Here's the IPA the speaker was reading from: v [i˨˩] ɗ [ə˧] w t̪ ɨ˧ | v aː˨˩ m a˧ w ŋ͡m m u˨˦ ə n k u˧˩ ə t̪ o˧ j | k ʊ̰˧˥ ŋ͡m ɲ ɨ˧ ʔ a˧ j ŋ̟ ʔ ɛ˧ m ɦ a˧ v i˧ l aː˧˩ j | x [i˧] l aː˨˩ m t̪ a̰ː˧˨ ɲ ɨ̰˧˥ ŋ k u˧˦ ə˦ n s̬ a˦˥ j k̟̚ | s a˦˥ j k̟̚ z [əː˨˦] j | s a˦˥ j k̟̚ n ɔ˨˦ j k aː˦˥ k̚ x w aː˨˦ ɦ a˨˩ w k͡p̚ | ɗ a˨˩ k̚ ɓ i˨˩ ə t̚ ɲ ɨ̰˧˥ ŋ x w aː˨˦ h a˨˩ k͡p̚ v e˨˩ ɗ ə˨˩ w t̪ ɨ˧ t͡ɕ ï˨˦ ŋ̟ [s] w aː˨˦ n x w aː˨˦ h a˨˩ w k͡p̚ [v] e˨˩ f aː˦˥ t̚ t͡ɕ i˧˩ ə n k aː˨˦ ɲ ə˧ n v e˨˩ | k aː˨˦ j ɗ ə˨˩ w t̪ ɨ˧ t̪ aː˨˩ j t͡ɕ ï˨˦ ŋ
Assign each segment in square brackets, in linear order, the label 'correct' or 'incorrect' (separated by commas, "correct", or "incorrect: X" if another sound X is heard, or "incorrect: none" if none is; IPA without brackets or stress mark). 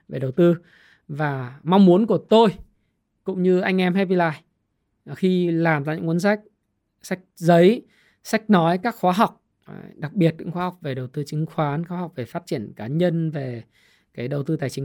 incorrect: e˨˩, incorrect: ə˨˩, correct, incorrect: ə˨˦, incorrect: x, correct